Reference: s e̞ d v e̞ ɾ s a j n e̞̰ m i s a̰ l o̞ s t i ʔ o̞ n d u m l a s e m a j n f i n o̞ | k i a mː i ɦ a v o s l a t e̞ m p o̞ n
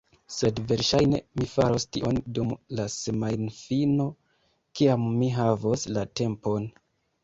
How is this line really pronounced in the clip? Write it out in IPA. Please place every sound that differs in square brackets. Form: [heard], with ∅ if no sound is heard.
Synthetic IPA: s e̞ d v e̞ ɾ [ʃ] a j n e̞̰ m i [f] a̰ [ɾ] o̞ s t i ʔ o̞ n d u m l a s e m a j n f i n o̞ | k i a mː i ɦ a v o s l a t e̞ m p o̞ n